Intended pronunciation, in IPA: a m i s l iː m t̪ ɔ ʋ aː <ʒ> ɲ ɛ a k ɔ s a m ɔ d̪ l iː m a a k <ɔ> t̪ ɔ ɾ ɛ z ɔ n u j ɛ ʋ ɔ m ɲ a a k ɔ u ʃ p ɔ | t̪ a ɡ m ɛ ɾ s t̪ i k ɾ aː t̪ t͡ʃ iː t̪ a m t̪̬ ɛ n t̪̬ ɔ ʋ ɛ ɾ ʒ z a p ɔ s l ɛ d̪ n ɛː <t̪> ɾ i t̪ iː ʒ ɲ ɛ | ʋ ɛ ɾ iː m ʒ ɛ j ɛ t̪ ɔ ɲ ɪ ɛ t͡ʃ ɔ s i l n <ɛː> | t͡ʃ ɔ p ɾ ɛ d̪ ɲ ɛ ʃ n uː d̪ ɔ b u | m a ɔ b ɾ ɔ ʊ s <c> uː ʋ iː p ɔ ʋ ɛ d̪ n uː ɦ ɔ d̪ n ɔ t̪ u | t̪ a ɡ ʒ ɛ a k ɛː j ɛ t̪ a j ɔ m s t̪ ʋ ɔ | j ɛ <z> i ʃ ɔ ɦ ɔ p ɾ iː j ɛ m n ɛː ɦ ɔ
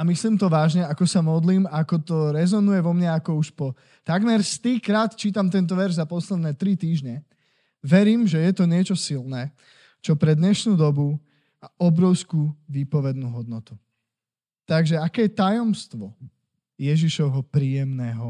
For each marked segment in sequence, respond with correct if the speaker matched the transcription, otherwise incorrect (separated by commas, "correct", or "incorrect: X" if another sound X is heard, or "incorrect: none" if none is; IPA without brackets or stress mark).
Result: correct, correct, correct, correct, incorrect: k, incorrect: ʒ